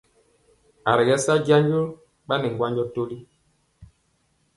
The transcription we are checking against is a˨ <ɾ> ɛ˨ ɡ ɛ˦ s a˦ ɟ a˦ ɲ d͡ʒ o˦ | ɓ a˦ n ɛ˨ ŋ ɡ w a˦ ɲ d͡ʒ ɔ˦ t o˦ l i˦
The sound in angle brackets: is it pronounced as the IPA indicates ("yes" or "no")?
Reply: yes